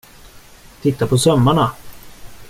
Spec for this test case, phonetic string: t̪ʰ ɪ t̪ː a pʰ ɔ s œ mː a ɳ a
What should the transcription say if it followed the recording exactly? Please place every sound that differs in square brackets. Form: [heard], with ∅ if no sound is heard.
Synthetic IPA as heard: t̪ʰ ɪ t̪ː a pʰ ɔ s œ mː a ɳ a